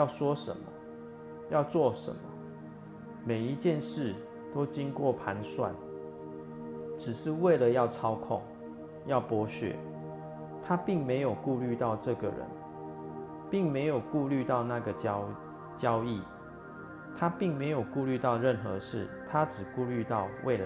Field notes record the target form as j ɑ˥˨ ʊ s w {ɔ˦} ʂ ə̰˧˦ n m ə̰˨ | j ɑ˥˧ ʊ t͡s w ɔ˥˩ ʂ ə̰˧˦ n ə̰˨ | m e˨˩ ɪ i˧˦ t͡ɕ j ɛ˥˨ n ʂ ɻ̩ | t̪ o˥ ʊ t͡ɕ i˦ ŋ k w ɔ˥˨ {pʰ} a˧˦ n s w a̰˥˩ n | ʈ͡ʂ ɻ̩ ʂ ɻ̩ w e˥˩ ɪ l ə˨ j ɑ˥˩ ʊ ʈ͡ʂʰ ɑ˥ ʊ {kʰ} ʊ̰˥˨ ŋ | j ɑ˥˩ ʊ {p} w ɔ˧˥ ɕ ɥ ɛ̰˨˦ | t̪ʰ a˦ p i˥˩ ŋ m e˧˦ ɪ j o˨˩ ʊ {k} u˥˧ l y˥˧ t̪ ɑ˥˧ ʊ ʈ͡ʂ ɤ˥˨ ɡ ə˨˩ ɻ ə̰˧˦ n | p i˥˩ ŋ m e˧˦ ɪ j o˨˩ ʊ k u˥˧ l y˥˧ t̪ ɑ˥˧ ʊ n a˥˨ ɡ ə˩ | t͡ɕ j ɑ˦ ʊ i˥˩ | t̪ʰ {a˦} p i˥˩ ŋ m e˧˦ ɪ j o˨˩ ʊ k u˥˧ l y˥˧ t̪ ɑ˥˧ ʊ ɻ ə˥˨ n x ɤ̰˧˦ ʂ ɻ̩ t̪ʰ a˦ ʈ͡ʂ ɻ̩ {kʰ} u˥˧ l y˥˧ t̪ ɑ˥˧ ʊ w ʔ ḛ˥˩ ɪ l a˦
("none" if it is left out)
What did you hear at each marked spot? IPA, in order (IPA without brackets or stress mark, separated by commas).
ɔ˦, pʰ, kʰ, p, k, a˦, k